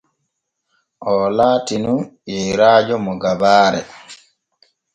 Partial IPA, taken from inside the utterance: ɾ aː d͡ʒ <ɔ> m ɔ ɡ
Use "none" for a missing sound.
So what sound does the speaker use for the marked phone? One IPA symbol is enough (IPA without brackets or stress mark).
ɔ